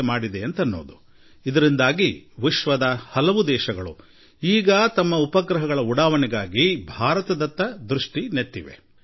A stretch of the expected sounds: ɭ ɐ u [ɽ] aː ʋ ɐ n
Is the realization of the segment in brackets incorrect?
no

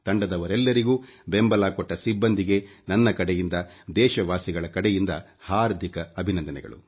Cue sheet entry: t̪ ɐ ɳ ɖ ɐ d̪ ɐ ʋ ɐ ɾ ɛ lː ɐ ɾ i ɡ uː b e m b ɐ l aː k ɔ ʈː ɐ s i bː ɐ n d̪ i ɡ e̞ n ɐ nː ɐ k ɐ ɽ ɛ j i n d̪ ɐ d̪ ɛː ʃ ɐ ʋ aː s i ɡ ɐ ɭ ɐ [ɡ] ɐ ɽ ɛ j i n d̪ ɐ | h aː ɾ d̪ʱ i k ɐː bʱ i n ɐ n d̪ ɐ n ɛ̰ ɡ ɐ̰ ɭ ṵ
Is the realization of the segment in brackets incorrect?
yes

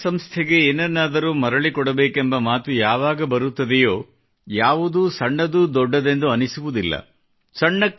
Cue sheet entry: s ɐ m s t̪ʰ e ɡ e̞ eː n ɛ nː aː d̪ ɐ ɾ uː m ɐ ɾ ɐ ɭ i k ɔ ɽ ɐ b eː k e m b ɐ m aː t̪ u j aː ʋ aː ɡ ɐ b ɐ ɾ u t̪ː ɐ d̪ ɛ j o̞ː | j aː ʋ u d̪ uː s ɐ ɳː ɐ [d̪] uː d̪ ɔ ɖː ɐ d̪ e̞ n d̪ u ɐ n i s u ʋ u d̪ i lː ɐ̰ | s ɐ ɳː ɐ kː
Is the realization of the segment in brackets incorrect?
no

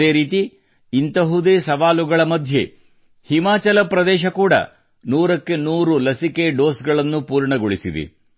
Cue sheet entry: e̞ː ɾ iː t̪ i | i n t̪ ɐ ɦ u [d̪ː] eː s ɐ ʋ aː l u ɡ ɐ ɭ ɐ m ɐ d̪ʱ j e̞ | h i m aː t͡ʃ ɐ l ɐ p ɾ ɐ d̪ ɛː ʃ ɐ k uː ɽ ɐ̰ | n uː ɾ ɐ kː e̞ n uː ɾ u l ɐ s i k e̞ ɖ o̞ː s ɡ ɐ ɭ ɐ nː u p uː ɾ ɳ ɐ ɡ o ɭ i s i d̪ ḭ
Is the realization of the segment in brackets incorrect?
yes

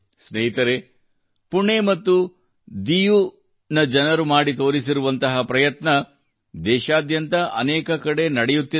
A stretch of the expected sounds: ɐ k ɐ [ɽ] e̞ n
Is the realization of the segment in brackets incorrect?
no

